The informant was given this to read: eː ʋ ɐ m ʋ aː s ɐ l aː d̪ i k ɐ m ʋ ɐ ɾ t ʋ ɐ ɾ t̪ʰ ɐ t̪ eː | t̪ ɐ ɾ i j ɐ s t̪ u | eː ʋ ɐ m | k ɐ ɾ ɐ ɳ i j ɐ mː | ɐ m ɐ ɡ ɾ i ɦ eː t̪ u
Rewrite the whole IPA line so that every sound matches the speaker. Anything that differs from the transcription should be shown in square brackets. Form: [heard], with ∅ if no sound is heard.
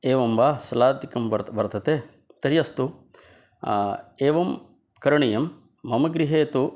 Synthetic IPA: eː ʋ ɐ m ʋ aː s ɐ l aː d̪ i k ɐ m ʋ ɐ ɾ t ʋ ɐ ɾ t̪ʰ ɐ t̪ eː | t̪ ɐ ɾ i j ɐ s t̪ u | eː ʋ ɐ m | k ɐ ɾ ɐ ɳ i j ɐ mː | ɐ m ɐ ɡ ɾ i ɦ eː t̪ u